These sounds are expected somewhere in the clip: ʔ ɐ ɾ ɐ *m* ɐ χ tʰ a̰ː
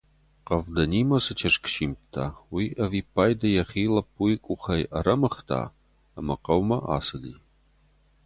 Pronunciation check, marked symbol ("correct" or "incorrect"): correct